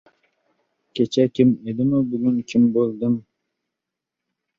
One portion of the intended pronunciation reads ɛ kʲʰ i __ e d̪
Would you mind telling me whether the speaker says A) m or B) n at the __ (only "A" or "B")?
A